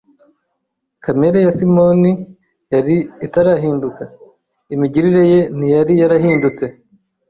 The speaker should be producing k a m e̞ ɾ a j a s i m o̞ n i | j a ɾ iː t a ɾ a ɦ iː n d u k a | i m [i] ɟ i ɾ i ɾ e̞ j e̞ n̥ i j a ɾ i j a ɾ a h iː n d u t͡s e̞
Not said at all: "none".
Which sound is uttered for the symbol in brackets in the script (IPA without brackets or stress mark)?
i